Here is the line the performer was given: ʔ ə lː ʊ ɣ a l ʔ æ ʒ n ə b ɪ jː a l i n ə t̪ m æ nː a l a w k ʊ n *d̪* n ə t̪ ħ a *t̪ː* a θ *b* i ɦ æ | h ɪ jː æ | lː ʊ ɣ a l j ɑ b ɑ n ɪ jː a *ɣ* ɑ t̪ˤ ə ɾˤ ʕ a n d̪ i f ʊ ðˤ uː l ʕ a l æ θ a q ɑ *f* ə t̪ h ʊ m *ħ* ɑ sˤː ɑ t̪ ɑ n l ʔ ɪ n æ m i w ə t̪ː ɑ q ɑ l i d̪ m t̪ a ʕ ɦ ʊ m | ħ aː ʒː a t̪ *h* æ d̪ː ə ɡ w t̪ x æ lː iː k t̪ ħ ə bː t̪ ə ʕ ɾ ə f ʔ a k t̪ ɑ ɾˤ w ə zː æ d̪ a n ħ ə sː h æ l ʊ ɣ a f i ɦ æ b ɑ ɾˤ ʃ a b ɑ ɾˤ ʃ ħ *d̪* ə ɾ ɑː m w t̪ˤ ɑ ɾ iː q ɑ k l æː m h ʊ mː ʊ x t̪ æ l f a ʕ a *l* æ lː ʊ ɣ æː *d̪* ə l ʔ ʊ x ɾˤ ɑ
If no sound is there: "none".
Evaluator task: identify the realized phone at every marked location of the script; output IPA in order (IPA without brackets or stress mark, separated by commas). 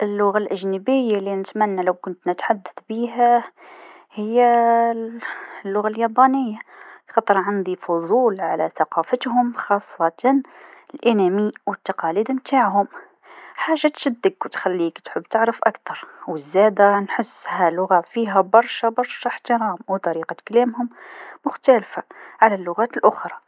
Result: t̪, d̪ː, b, x, f, x, ʃ, t̪, l, t̪